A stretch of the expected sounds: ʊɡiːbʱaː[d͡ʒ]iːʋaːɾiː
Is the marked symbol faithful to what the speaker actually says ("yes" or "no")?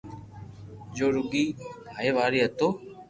no